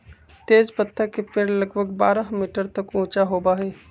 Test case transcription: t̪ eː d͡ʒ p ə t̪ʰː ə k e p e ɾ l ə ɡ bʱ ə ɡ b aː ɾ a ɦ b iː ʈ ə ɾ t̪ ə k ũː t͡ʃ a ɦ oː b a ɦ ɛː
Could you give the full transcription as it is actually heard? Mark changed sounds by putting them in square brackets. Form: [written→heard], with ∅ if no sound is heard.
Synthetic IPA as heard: t̪ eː d͡ʒ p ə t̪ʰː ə k e p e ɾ l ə ɡ bʱ ə ɡ b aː ɾ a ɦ [b→m] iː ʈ ə ɾ t̪ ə k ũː t͡ʃ a ɦ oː b a ɦ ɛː